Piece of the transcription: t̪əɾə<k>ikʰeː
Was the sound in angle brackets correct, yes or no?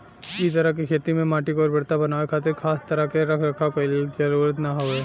yes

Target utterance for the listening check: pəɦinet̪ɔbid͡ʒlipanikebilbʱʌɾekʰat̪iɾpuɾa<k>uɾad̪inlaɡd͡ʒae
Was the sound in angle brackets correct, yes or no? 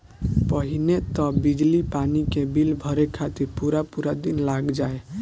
no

